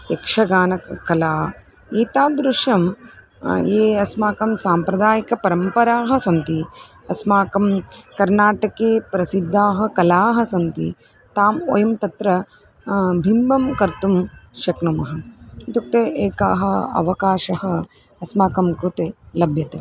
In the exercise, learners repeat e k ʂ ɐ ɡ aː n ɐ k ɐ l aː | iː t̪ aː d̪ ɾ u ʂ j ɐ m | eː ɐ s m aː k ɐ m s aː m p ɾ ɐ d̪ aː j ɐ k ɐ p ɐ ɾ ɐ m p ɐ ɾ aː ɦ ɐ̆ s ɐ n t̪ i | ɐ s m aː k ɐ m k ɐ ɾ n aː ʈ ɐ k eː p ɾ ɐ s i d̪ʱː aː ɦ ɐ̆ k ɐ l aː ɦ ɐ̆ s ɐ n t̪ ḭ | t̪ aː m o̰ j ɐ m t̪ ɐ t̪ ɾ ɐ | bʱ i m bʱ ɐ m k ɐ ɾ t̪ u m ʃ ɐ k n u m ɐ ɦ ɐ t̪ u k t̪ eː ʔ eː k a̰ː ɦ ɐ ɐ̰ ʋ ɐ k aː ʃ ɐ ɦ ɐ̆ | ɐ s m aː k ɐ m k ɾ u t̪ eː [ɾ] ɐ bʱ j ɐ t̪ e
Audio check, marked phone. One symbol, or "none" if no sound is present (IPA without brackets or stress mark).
l